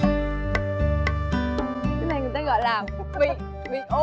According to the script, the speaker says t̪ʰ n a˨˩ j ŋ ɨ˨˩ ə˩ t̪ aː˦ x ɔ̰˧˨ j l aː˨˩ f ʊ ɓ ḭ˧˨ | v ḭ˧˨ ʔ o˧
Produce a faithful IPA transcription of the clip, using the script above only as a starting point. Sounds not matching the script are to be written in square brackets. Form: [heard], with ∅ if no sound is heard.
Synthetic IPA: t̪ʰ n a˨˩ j ŋ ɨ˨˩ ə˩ t̪ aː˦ [ɣ] ɔ̰˧˨ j l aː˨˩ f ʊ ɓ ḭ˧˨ | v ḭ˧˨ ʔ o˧